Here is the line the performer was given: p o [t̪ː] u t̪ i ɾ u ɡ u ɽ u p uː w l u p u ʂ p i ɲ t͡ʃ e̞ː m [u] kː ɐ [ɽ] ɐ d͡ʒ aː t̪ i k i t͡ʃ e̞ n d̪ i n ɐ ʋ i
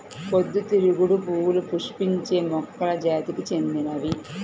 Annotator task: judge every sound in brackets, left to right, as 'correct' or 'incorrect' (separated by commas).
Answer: incorrect, incorrect, incorrect